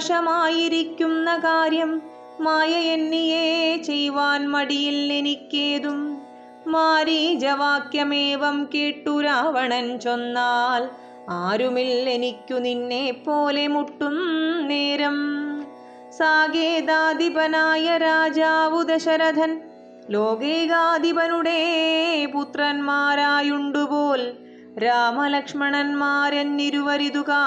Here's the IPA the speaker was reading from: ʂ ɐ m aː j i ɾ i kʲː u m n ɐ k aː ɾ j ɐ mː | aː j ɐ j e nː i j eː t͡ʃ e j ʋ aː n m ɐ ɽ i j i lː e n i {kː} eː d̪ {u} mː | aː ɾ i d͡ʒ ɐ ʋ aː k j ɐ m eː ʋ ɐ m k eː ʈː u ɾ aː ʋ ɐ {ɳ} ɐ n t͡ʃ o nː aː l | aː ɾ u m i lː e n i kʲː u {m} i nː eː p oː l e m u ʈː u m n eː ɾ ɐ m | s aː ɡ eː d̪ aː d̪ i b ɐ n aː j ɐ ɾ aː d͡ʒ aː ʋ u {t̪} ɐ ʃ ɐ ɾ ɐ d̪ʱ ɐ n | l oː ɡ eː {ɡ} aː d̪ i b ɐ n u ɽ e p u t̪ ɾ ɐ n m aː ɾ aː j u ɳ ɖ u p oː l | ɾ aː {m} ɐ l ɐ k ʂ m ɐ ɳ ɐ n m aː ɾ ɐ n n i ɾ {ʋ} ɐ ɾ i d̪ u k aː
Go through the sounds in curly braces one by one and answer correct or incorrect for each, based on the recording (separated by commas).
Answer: correct, correct, correct, incorrect, incorrect, correct, correct, correct